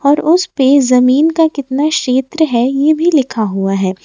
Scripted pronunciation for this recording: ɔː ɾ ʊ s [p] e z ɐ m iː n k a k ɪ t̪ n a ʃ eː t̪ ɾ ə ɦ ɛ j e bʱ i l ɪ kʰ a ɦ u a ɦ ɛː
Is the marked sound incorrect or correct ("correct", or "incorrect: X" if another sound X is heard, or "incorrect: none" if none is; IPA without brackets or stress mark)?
correct